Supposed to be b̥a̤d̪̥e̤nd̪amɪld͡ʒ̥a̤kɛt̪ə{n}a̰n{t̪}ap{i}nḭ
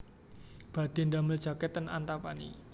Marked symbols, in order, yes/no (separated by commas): yes, yes, no